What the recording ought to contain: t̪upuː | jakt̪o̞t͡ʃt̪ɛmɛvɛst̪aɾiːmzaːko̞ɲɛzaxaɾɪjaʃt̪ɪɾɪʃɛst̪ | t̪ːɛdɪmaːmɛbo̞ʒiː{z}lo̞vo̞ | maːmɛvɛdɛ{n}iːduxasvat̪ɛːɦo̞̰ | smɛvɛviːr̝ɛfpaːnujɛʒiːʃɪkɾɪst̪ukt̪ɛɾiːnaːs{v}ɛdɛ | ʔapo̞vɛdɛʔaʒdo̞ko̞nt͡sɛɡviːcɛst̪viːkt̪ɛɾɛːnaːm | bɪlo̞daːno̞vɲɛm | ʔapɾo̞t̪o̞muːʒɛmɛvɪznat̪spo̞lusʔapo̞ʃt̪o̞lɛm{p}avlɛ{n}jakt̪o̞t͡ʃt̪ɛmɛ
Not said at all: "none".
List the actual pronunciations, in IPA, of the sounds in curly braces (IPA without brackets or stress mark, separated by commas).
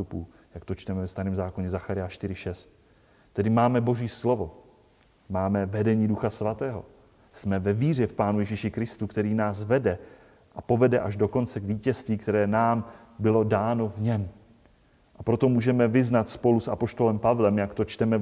s, ɲ, v, p, m